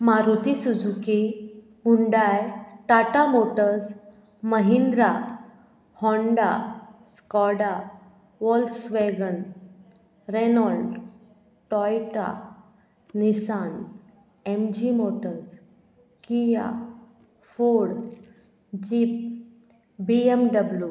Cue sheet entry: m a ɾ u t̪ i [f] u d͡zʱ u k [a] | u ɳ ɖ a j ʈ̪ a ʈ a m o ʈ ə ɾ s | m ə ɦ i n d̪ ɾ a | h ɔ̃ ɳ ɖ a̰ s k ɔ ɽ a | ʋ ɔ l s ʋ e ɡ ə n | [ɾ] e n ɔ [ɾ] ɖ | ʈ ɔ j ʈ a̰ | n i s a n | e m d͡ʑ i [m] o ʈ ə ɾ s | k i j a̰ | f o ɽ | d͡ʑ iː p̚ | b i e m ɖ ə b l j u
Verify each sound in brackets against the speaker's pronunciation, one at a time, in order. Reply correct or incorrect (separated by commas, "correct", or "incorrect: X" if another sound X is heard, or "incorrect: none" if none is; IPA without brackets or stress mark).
incorrect: s, incorrect: i, correct, incorrect: l, correct